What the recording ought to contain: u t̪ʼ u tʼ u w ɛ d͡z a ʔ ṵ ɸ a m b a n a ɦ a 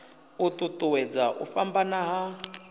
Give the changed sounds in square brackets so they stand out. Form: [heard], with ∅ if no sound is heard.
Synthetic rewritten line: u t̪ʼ u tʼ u w ɛ d͡z a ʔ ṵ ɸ a m b a n a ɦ a